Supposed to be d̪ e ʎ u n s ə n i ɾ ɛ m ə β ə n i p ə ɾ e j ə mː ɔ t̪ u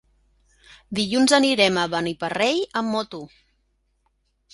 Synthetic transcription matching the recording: d̪ i ʎ u n z ə n i ɾ ɛ m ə β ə n i p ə r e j ə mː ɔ t̪ u